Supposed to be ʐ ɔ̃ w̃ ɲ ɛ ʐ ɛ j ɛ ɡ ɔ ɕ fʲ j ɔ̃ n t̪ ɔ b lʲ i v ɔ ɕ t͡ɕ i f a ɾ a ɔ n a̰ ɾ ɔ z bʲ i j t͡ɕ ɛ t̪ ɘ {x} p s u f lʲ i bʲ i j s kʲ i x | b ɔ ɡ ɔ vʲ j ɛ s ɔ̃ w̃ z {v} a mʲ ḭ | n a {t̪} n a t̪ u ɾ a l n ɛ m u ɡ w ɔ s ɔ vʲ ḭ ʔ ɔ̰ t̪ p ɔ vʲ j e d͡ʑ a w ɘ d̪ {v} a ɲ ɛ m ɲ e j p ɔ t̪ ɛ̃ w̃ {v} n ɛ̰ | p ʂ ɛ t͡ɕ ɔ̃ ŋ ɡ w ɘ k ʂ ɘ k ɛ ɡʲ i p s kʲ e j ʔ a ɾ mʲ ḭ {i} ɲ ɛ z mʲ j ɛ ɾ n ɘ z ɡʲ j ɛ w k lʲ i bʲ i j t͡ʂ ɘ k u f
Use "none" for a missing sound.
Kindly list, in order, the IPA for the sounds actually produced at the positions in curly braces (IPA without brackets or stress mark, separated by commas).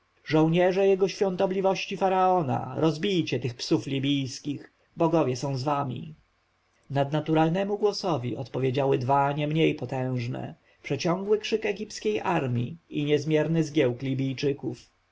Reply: x, v, d̪, v, ʐ, i